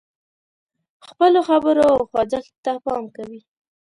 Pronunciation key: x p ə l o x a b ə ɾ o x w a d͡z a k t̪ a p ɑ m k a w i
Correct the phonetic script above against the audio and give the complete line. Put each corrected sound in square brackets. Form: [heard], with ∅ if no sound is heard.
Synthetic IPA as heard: x p ə l o x a b ə ɾ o x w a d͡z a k t̪ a p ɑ m k a w i